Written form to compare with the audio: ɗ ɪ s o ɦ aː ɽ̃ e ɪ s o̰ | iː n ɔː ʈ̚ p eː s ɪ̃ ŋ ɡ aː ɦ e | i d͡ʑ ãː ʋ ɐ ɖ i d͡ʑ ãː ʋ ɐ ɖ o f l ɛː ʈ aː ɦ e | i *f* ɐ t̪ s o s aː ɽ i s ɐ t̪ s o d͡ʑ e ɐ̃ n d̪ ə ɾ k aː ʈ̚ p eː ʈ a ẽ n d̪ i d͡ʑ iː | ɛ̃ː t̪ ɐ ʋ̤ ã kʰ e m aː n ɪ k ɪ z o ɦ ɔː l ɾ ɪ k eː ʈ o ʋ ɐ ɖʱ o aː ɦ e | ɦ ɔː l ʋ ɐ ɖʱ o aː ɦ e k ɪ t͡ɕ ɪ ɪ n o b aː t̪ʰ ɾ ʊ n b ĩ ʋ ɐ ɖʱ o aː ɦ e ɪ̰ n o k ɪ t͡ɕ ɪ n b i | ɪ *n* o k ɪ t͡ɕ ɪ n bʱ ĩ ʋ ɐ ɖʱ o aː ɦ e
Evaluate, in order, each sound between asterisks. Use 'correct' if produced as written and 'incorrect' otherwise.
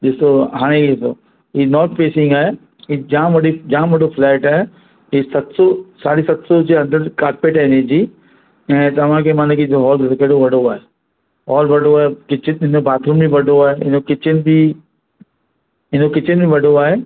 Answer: incorrect, correct

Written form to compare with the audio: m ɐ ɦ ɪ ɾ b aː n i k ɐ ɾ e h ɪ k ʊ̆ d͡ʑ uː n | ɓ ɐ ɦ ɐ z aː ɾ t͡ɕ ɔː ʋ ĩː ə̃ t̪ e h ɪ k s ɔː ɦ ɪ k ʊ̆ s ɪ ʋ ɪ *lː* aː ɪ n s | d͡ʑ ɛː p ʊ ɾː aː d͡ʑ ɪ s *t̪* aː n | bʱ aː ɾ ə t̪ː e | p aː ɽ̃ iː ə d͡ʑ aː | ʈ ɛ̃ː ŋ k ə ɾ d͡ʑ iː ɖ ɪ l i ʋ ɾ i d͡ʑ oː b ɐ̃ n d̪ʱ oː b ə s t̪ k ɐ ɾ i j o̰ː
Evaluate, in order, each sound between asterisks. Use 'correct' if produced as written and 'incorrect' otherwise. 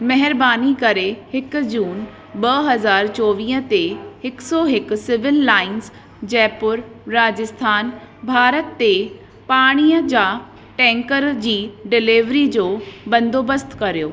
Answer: correct, incorrect

